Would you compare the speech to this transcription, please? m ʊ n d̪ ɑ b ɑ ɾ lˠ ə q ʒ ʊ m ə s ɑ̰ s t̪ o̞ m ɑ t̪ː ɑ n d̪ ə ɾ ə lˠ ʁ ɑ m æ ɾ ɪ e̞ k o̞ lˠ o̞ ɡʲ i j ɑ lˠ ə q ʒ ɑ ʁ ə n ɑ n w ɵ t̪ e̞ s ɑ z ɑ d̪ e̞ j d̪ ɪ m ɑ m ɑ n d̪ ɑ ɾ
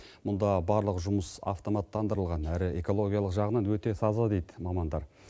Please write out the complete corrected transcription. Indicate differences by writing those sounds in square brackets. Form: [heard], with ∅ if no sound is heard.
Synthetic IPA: m ʊ n d̪ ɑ b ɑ ɾ lˠ ə q ʒ ʊ m ə s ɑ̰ [f] t̪ o̞ m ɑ t̪ː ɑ n d̪ ə ɾ ə lˠ ʁ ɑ [n] æ ɾ ɪ e̞ k o̞ lˠ o̞ ɡʲ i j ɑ lˠ ə q ʒ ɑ ʁ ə n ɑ n w ɵ t̪ e̞ s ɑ z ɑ d̪ e̞ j d̪ ɪ m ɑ m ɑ n d̪ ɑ ɾ